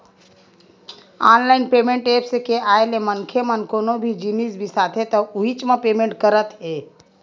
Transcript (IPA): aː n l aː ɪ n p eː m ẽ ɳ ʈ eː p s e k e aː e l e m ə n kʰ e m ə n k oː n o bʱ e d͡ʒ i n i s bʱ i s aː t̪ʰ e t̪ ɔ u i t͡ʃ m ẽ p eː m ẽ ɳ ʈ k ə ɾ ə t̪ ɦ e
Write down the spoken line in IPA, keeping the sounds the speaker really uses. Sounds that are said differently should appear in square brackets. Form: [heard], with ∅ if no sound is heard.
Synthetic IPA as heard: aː n l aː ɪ n p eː m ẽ ɳ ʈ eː p s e k e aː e l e m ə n kʰ e m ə n k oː n o bʱ [i] d͡ʒ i n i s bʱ i s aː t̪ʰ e t̪ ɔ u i t͡ʃ m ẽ p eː m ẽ ɳ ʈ k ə ɾ ə t̪ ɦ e